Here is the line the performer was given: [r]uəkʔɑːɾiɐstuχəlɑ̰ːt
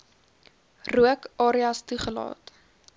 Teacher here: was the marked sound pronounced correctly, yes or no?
yes